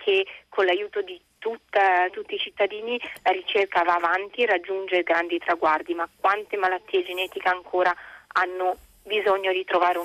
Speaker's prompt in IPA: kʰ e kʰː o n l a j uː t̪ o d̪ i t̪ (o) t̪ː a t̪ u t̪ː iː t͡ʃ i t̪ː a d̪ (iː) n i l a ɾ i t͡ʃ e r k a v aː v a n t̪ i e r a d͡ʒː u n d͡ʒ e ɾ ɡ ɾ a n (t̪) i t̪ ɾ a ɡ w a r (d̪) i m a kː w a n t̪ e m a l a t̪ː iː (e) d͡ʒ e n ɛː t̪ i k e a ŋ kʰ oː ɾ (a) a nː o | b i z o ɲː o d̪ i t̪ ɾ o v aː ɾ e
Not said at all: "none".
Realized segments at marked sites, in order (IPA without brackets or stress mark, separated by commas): u, iː, d̪, d̪, e, a